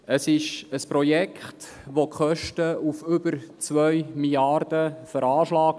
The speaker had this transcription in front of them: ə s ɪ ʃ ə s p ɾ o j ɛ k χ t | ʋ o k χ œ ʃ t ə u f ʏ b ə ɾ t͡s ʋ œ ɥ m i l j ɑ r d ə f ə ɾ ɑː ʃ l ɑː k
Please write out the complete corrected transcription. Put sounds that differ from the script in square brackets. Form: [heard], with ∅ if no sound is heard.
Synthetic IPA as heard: ə s ɪ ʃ ə s p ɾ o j ɛ k χ t | ʋ o k χ œ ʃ t ə u f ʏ b ə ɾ t͡s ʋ œ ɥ m i l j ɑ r d ə f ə ɾ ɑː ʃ l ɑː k